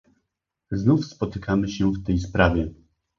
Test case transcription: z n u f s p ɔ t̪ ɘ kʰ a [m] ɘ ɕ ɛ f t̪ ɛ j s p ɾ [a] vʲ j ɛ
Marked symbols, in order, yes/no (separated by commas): yes, yes